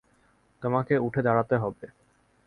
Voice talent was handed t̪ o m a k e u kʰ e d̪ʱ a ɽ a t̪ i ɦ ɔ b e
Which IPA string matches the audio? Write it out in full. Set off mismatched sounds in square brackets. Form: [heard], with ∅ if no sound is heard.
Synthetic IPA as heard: t̪ o m a k e u [ʈʰ] e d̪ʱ a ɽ a t̪ [e] ɦ ɔ b e